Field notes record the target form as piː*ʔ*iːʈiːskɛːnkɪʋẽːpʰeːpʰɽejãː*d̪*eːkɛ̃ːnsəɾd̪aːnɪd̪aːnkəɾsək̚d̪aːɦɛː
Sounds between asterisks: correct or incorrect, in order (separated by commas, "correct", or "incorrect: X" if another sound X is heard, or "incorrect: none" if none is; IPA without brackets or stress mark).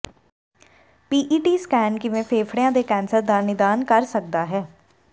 correct, correct